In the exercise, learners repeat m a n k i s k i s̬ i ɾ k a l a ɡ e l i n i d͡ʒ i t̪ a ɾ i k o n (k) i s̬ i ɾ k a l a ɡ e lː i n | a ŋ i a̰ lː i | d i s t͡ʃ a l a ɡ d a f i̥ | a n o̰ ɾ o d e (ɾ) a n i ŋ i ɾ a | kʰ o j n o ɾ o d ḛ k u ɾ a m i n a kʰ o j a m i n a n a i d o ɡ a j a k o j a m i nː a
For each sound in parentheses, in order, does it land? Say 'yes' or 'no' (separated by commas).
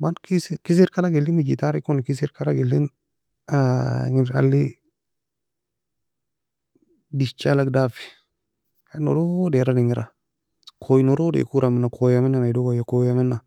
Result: yes, yes